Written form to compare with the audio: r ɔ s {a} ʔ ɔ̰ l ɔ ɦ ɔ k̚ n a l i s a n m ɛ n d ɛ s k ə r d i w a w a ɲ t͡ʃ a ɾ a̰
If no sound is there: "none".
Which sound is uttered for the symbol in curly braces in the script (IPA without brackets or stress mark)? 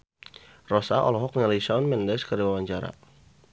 a